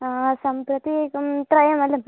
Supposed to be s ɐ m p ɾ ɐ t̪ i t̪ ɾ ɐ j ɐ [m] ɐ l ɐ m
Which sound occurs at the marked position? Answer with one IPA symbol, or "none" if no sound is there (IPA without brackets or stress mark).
m